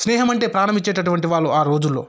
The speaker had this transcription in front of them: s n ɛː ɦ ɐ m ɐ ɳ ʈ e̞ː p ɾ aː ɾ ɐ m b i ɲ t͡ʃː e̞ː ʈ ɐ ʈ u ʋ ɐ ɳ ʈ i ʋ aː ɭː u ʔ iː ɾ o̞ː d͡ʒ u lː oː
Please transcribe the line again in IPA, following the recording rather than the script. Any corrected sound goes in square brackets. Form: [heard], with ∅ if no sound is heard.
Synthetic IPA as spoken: s n ɛː ɦ ɐ m ɐ ɳ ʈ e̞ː p ɾ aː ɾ ɐ m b i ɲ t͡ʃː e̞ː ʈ ɐ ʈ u ʋ ɐ ɳ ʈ i ʋ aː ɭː u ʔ [aː] ɾ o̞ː d͡ʒ u lː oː